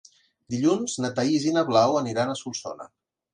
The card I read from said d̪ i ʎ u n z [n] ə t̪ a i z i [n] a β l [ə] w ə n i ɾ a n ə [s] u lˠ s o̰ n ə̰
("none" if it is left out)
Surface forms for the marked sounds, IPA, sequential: n, n, a, s

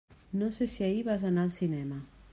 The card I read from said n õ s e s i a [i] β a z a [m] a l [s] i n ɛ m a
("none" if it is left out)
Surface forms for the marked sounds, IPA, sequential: i, n, s

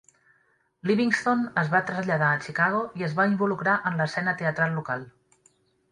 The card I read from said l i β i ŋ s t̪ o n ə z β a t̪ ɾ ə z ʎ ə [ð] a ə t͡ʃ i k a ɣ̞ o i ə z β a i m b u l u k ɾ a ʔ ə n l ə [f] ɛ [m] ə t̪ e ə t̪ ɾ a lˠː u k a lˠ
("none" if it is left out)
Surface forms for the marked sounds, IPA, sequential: ð, s, n

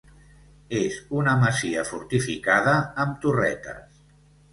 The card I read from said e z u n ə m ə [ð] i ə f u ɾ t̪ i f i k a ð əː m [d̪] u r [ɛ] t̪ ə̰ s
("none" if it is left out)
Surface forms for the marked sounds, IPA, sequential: z, t̪, ɛ

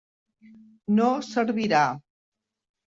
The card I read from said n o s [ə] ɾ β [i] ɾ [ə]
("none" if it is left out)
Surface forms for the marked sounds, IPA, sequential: ə, i, a

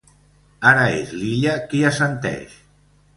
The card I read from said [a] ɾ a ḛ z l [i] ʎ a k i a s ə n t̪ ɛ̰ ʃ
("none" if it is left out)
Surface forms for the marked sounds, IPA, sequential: a, i

